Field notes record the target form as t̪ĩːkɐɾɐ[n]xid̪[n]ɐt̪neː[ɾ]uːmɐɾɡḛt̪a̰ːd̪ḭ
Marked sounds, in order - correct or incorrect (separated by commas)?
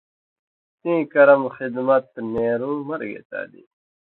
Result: incorrect, incorrect, correct